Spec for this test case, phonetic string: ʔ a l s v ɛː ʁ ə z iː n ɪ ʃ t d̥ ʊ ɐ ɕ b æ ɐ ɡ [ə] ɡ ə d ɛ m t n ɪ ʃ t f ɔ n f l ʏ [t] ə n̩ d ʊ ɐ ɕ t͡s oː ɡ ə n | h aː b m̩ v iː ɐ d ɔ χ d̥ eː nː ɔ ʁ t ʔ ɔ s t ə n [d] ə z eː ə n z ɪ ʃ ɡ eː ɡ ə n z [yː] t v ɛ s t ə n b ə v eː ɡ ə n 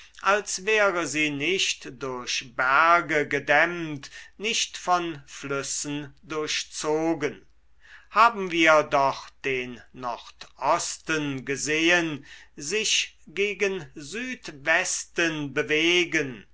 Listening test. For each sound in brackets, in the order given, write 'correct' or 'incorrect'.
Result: correct, incorrect, incorrect, correct

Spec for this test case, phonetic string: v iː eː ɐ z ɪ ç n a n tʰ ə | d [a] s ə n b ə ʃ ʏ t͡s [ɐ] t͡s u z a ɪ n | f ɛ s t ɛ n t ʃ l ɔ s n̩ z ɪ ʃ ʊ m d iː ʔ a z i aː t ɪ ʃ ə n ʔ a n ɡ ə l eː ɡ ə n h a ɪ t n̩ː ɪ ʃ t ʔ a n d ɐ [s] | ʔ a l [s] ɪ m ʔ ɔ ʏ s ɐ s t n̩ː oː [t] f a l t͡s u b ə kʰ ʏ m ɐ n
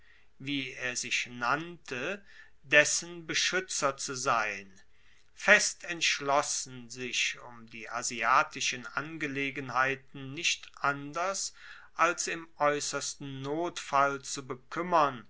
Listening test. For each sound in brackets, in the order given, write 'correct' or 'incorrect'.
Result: incorrect, correct, correct, correct, correct

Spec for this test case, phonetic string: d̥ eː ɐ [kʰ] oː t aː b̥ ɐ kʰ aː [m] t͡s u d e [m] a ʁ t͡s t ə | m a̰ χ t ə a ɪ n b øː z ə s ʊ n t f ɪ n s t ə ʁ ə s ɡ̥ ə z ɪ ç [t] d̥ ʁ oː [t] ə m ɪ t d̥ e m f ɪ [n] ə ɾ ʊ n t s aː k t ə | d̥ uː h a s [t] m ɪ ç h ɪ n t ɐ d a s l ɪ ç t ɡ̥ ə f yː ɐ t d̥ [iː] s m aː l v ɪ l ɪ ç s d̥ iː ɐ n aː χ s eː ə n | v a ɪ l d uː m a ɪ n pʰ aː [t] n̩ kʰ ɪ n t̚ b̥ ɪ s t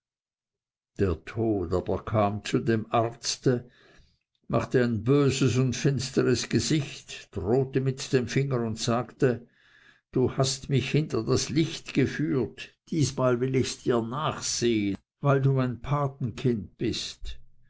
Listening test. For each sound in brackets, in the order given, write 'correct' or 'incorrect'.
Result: incorrect, correct, correct, correct, correct, incorrect, correct, correct, correct

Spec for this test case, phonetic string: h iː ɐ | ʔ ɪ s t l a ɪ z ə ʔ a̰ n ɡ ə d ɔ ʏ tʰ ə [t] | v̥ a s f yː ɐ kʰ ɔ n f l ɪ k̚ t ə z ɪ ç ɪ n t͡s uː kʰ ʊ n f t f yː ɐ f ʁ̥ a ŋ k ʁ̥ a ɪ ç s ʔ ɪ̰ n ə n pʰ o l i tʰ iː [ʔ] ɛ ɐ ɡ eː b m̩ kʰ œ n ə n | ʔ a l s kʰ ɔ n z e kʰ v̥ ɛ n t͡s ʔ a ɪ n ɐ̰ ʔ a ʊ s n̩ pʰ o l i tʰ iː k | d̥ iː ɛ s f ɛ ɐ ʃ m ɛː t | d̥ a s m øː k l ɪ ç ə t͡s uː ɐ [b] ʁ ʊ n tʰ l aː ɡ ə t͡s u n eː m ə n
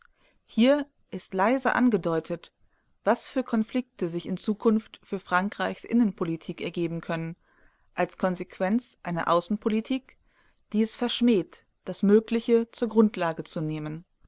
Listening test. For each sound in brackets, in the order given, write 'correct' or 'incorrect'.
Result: correct, incorrect, incorrect

